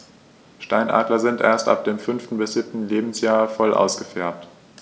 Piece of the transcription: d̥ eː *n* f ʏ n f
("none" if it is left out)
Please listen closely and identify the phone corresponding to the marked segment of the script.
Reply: m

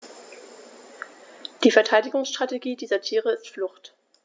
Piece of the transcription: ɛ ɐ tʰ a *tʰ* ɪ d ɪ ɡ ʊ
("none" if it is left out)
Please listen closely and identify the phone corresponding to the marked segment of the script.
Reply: none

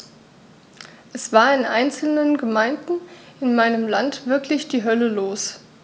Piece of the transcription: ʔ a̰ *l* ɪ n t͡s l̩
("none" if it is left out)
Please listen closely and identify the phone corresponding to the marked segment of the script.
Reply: none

